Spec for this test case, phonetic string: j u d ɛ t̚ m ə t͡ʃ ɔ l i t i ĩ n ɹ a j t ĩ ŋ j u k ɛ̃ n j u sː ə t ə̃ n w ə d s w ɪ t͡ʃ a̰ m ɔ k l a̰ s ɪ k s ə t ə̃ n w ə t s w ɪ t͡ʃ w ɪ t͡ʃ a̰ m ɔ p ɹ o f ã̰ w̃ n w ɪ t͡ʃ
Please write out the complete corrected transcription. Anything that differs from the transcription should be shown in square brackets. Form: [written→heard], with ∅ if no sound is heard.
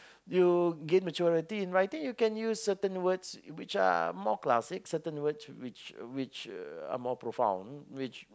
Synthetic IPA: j u [d→ɡ] ɛ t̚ m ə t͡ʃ ɔ [l→ɹ] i t i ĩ n ɹ a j t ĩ ŋ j u k ɛ̃ n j u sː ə t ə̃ n w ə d s w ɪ t͡ʃ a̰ m ɔ k l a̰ s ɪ k s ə t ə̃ n w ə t s w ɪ t͡ʃ w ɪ t͡ʃ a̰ m ɔ p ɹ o f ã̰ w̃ n w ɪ t͡ʃ